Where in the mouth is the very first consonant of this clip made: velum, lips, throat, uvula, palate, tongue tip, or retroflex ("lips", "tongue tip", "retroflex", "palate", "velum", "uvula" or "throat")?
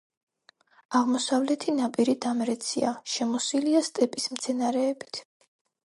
uvula